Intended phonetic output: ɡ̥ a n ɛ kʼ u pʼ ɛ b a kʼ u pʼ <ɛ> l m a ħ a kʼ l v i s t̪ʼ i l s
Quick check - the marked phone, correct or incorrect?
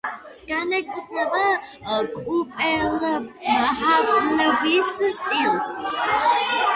correct